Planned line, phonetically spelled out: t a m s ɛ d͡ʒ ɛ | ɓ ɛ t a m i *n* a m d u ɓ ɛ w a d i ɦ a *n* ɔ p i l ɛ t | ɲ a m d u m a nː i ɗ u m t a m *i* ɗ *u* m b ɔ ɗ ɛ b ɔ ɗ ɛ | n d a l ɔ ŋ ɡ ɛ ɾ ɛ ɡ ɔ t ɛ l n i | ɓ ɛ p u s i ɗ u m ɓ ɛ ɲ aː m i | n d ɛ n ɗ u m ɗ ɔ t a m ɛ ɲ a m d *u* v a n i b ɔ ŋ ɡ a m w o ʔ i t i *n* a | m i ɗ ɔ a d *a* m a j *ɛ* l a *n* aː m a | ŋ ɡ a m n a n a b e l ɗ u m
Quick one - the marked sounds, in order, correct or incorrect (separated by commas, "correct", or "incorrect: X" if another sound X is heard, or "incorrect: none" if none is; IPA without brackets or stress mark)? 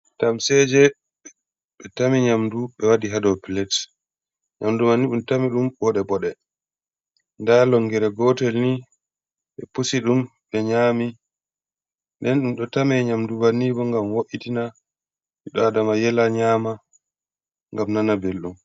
incorrect: ɲ, incorrect: d, correct, correct, correct, correct, correct, correct, incorrect: ɲ